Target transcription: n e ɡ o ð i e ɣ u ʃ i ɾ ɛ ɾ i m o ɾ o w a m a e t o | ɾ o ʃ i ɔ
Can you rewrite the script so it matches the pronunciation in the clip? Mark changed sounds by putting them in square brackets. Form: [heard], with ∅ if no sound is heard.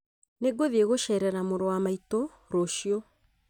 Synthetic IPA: n e ɡ o ð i e ɣ [o] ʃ [ɛ] ɾ ɛ ɾ [a] m o ɾ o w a m a [i] t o | ɾ o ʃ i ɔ